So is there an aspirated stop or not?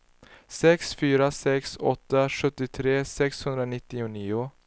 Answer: yes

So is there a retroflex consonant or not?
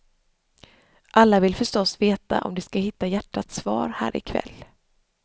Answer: yes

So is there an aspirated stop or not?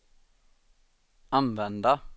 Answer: no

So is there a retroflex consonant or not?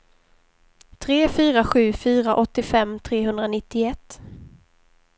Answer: no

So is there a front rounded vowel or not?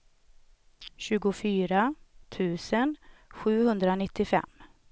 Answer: yes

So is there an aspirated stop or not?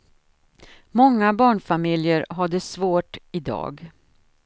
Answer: no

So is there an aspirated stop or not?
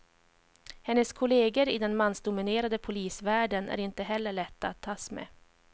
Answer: yes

